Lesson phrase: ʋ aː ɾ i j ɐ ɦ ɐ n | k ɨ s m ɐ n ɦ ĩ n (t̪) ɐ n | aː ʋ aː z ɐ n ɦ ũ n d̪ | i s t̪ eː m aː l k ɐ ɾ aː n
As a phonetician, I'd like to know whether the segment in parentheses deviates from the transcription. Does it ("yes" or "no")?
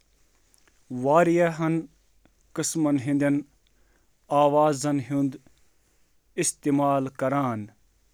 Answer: yes